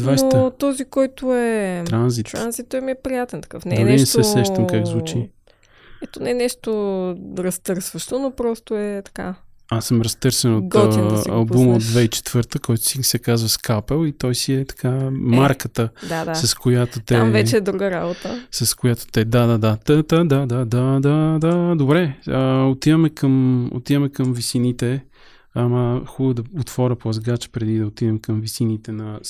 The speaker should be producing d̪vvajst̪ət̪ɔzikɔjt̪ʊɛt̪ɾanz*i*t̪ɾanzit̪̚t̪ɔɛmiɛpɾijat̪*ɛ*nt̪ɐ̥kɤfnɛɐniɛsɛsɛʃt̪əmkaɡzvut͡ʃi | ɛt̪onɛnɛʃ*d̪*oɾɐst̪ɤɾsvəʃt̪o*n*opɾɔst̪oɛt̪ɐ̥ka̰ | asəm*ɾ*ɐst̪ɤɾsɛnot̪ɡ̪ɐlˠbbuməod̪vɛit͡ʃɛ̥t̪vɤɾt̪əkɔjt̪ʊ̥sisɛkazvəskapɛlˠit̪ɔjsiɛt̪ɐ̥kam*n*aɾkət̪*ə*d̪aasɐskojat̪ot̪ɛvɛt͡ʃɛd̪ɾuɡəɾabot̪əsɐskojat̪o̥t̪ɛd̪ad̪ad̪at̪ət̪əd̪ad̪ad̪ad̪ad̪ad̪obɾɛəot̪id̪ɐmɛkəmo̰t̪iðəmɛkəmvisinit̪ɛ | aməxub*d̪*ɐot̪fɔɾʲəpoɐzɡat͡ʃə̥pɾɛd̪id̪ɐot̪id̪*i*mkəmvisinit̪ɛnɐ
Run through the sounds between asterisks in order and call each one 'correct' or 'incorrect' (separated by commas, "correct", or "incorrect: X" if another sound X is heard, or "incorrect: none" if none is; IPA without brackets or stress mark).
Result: correct, correct, incorrect: t̪, correct, correct, incorrect: m, correct, correct, incorrect: ɛ